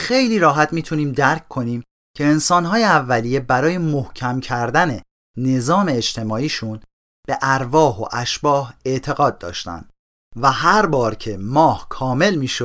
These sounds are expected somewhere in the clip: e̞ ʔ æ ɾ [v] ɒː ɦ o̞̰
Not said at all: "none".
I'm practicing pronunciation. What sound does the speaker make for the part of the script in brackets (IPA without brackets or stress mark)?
v